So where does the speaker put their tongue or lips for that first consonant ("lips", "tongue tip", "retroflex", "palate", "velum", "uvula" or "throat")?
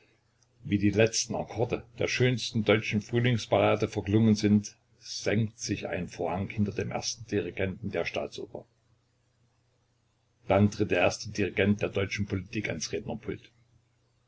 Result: lips